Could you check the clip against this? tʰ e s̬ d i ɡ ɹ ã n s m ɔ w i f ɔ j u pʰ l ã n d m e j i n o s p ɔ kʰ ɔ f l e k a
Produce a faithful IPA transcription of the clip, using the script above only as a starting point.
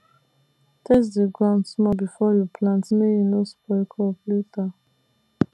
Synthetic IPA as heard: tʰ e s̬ d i ɡ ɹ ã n s m ɔ b i f ɔ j u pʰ l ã n t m e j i n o s p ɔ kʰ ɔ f l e t a